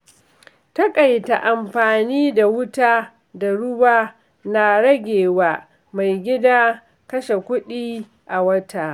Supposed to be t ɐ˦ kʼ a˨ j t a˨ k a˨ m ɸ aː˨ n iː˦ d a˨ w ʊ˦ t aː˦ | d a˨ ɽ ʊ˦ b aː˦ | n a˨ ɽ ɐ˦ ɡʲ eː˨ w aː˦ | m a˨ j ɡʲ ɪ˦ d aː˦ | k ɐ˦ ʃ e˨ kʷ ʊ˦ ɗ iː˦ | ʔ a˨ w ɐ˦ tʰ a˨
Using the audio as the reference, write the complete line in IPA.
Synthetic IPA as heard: t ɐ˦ kʼ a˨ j t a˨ ʔ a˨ m ɸ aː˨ n iː˦ d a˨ w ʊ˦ t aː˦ | d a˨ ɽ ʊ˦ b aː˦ | n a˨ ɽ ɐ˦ ɡʲ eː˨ w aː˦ | m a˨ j ɡʲ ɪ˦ d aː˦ | k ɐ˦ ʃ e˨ kʷ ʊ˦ ɗ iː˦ | ʔ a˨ w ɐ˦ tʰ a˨